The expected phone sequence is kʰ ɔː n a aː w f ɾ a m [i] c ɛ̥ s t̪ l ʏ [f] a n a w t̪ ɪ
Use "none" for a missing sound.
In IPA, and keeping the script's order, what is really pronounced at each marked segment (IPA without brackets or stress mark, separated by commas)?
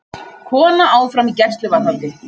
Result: i, v